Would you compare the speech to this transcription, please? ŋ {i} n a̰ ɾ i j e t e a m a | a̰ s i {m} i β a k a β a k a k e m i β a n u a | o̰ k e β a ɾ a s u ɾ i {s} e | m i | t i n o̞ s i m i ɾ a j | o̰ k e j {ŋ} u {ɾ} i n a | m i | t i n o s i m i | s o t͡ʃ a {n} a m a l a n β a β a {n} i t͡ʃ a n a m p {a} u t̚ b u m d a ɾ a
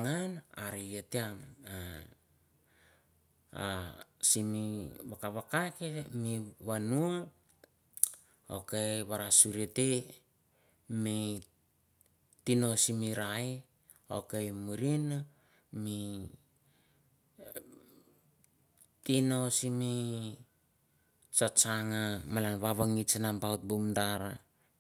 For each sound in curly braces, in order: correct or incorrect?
incorrect: a, correct, incorrect: t, incorrect: m, correct, incorrect: ŋ, incorrect: ŋ, correct

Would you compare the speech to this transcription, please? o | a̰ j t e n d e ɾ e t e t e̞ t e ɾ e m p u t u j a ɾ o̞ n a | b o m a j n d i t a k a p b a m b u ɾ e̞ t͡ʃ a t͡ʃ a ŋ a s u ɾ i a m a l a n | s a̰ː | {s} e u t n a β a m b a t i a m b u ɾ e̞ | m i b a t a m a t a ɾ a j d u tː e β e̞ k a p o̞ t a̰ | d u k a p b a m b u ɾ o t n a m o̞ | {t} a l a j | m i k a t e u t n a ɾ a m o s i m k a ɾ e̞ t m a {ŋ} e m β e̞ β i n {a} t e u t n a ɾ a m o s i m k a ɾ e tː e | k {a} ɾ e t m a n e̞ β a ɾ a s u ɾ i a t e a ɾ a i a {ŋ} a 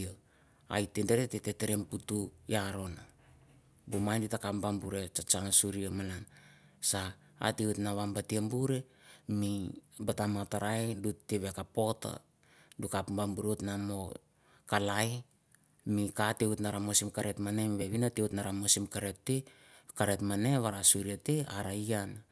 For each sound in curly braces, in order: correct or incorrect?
incorrect: t, incorrect: k, incorrect: n, correct, correct, incorrect: n

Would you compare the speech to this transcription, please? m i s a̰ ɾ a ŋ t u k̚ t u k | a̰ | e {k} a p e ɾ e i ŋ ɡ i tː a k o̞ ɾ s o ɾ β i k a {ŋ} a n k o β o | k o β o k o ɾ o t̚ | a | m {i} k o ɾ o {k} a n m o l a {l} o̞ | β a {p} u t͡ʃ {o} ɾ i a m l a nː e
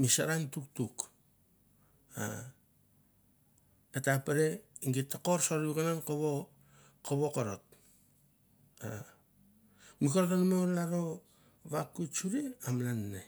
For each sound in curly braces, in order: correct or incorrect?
incorrect: t, incorrect: n, correct, incorrect: t, incorrect: ɾ, incorrect: k, incorrect: u

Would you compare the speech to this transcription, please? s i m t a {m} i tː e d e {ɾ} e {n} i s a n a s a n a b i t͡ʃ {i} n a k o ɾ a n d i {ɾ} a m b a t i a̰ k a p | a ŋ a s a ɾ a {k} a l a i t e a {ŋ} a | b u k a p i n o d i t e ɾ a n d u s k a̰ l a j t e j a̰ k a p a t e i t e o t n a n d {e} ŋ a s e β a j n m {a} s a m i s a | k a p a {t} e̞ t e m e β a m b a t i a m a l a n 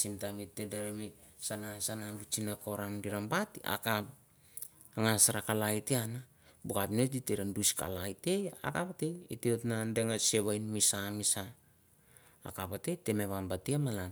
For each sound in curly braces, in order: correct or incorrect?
correct, correct, incorrect: m, correct, correct, correct, incorrect: n, correct, incorrect: i, correct

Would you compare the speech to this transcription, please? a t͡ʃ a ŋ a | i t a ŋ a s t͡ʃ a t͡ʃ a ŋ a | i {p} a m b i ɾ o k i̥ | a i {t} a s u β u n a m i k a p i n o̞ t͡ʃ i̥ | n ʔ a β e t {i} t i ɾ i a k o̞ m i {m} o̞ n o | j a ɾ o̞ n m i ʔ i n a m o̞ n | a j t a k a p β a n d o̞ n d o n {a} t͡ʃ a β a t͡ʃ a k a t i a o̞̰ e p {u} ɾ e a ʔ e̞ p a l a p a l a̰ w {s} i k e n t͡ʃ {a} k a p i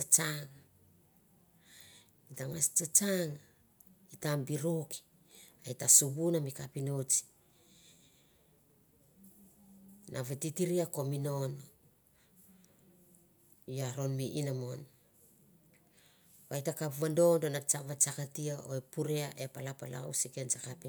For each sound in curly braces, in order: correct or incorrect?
incorrect: t, correct, correct, incorrect: n, correct, correct, correct, correct

